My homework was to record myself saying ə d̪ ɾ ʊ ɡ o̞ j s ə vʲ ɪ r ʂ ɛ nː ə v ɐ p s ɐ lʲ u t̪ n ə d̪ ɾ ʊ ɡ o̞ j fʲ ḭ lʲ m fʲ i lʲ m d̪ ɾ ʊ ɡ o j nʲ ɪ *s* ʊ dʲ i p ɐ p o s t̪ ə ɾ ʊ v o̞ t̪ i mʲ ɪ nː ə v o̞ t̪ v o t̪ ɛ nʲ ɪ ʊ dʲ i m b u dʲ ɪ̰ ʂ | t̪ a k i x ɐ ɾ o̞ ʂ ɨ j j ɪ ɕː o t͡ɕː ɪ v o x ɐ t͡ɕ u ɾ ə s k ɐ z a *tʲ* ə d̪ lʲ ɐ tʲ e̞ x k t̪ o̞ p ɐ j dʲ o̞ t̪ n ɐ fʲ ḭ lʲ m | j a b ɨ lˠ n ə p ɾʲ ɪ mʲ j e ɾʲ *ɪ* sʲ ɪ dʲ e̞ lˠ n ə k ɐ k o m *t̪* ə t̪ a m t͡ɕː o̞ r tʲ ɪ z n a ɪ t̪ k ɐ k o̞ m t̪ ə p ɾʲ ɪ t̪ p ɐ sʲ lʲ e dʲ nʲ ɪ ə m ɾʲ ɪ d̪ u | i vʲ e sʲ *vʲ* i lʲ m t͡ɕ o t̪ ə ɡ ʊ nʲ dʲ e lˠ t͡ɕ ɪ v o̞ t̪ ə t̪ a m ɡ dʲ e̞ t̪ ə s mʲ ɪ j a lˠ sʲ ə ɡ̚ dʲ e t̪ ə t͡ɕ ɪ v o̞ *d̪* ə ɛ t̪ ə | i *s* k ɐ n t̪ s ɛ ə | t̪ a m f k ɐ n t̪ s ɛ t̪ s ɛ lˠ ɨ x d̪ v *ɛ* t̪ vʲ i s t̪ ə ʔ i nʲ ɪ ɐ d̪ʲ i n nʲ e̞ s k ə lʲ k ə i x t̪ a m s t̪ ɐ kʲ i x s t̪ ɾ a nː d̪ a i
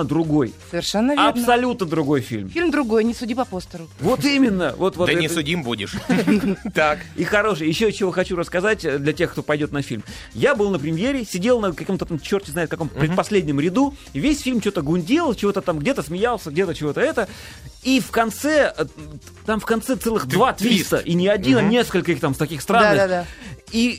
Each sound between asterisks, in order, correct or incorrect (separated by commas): correct, correct, correct, correct, incorrect, incorrect, incorrect, incorrect